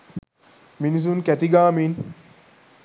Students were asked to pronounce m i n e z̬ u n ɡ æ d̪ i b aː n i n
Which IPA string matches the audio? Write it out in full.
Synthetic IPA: m i n i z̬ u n k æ t̪ i ɡ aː m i n